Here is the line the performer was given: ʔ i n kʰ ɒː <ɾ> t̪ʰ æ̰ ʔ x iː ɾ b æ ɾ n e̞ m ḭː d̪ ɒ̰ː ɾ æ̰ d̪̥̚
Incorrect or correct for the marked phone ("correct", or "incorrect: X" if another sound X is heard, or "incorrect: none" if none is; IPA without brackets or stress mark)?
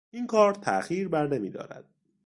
correct